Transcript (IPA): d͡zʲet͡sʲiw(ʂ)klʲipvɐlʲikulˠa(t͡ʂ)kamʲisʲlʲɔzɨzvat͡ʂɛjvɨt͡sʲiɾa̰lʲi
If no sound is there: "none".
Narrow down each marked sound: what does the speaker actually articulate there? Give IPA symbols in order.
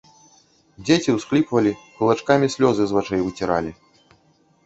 s, t͡ʂ

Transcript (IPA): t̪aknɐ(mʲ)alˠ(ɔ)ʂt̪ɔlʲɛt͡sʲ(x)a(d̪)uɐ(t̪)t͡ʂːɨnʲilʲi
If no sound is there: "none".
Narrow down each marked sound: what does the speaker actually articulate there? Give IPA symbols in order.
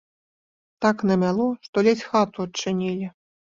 mʲ, ɔ, x, t̪, none

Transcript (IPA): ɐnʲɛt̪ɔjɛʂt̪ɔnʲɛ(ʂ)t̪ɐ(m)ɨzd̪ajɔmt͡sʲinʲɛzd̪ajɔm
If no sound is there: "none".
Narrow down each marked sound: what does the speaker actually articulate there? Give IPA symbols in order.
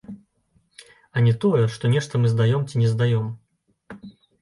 ʂ, m

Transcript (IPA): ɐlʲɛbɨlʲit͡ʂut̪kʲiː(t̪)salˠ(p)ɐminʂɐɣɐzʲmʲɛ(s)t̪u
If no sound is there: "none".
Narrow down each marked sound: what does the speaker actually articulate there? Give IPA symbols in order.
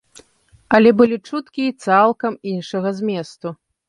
t̪, k, s

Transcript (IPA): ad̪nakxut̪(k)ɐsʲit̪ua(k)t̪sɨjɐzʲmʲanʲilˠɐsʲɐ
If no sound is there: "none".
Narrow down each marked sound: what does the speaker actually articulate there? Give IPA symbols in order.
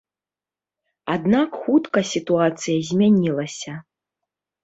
k, none

